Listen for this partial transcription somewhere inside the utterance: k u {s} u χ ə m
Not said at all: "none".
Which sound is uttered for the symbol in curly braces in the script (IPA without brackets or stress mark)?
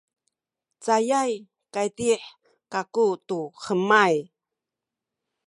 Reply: t